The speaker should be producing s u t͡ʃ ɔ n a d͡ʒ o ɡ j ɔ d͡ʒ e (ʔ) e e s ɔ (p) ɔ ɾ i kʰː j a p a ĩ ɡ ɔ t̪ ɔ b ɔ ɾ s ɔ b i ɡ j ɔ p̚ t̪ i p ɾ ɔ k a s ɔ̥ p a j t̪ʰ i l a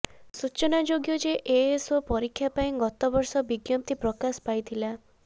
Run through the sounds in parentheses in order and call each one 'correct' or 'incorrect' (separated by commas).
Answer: correct, correct